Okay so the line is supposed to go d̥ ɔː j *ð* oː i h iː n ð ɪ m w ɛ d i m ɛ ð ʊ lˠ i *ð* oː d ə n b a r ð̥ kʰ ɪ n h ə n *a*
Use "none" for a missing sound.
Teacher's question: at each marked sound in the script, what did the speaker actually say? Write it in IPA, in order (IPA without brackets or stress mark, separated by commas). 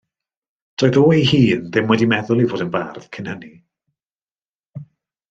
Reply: ð, v, i